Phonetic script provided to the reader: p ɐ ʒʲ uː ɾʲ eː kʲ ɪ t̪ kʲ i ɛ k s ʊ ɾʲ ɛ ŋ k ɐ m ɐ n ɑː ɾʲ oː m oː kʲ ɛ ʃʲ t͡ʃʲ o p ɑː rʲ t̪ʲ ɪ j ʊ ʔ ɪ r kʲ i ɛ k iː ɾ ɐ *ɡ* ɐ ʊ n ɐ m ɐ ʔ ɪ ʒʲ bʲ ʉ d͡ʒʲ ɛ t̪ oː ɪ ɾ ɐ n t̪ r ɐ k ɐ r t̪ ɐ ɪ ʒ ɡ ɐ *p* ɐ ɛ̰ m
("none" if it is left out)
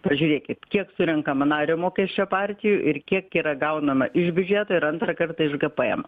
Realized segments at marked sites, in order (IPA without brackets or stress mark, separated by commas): ɡ, p